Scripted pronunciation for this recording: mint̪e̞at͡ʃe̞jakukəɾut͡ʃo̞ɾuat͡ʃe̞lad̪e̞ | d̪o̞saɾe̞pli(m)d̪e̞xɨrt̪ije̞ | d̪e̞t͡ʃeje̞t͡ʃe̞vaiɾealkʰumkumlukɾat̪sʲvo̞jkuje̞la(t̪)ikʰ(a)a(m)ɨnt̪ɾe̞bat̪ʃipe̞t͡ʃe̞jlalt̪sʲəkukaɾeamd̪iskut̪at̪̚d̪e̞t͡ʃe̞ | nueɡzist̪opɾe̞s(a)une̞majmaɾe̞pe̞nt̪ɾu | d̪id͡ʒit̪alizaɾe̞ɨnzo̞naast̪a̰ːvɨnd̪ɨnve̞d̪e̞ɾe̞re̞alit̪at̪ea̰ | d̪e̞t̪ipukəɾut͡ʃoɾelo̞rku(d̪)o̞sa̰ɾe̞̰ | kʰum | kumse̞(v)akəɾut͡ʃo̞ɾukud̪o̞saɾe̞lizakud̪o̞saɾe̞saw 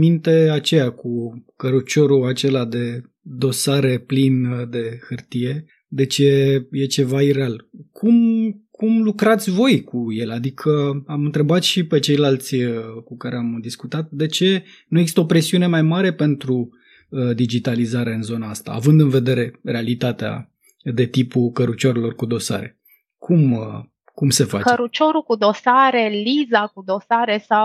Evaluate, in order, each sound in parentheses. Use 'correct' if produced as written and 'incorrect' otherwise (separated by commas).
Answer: incorrect, incorrect, incorrect, correct, incorrect, correct, incorrect